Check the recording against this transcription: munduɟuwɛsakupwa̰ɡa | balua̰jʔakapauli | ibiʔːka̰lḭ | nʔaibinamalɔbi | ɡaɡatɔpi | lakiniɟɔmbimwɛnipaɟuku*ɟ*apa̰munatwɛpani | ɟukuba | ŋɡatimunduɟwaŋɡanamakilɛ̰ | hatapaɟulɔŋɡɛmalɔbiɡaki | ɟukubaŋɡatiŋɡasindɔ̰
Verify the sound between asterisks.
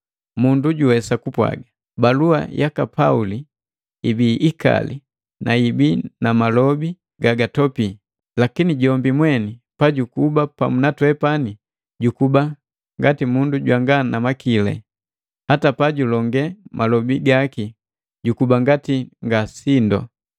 incorrect: b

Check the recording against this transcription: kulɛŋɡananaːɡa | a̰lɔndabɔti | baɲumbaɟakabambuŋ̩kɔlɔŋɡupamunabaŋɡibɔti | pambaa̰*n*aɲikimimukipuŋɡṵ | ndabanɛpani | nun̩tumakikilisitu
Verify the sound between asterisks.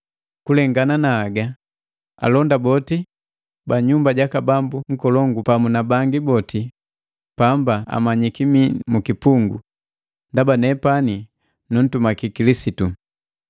incorrect: m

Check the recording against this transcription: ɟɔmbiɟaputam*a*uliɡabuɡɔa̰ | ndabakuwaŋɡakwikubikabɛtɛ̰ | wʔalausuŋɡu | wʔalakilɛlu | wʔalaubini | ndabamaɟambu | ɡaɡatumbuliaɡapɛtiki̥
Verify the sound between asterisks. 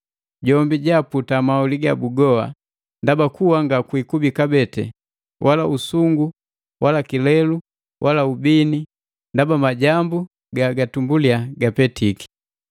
correct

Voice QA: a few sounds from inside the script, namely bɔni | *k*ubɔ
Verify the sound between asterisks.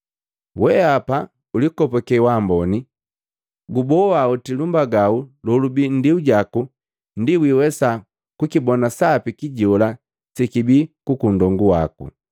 incorrect: ɡ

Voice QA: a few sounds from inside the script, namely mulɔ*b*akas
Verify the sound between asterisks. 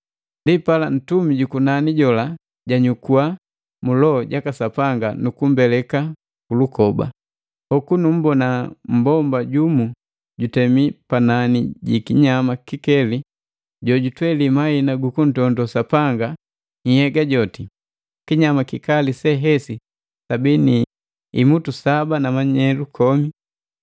incorrect: ɟ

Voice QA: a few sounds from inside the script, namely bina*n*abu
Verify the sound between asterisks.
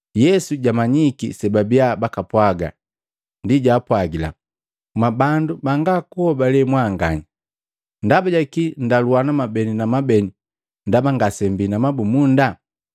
incorrect: m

